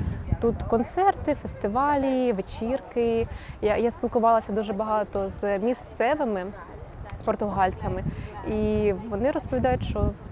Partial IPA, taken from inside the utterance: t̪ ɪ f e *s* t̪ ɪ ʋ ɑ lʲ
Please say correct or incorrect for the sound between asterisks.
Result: correct